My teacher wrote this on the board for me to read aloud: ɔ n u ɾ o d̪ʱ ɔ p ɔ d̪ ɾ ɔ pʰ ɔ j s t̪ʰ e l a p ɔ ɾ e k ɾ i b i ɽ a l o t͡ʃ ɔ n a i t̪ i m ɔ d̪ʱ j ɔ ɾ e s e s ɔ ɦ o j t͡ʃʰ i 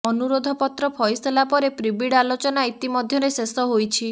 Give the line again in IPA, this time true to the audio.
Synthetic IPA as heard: ɔ n u ɾ o d̪ʱ ɔ p ɔ t̪ ɾ ɔ pʰ ɔ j s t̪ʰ e l a p ɔ ɾ e p ɾ i b i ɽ a l o t͡ʃ ɔ n a i t̪ i m ɔ d̪ʱ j ɔ ɾ e s e s ɔ ɦ o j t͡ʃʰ i

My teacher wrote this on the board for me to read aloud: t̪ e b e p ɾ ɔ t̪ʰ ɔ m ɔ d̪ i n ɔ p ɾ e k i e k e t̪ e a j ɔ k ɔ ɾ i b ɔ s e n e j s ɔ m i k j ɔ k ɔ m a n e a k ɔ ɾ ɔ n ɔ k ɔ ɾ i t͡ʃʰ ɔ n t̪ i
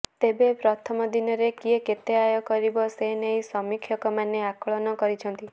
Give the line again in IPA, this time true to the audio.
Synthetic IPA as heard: t̪ e b e p ɾ ɔ t̪ʰ ɔ m ɔ d̪ i n ɔ ɾ e k i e k e t̪ e a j ɔ k ɔ ɾ i b ɔ s e n e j s ɔ m i kʰ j ɔ k ɔ m a n e a k ɔ ɭ ɔ n ɔ k ɔ ɾ i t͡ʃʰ ɔ n t̪ i

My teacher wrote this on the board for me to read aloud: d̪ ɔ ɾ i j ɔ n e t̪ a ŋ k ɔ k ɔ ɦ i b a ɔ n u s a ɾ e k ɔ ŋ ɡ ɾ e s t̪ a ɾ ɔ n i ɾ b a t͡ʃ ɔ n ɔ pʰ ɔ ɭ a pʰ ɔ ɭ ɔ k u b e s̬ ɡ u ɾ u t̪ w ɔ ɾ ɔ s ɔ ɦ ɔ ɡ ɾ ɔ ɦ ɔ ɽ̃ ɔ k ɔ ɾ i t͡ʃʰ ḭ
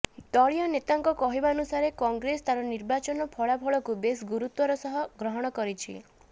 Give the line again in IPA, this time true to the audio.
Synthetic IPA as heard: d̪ ɔ ɭ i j ɔ n e t̪ a ŋ k ɔ k ɔ ɦ i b a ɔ n u s a ɾ e k ɔ ŋ ɡ ɾ e s t̪ a ɾ ɔ n i ɾ b a t͡ʃ ɔ n ɔ pʰ ɔ ɭ a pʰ ɔ ɭ ɔ k u b e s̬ ɡ u ɾ u t̪ w ɔ ɾ ɔ s ɔ ɦ ɔ ɡ ɾ ɔ ɦ ɔ ɽ̃ ɔ k ɔ ɾ i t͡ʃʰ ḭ

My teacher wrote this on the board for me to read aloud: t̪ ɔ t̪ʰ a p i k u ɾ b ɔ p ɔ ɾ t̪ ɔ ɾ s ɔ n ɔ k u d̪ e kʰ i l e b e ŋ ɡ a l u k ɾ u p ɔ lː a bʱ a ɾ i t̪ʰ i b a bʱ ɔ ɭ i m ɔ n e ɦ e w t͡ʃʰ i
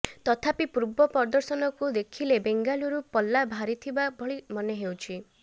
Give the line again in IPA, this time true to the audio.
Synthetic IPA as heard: t̪ ɔ t̪ʰ a p i p u ɾ b ɔ p ɔ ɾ d̪ ɔ ɾ s ɔ n ɔ k u d̪ e kʰ i l e b e ŋ ɡ a l u ɾ u p ɔ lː a bʱ a ɾ i t̪ʰ i b a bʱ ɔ ɭ i m ɔ n e ɦ e w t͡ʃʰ i

